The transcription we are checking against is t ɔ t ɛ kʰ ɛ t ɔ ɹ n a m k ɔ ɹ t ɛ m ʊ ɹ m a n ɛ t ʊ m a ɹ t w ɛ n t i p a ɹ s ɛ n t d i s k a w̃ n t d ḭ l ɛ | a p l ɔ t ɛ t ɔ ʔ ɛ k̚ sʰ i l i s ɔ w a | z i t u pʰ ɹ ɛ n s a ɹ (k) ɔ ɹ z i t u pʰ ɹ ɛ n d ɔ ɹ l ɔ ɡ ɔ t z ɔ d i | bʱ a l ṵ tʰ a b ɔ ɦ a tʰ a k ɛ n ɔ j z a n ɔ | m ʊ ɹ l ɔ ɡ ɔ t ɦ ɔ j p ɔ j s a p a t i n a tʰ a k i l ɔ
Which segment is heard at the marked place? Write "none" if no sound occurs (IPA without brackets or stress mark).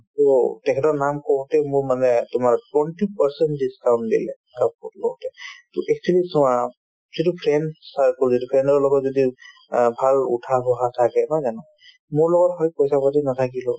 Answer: k